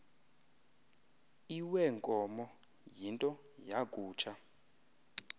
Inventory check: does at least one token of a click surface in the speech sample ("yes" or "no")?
no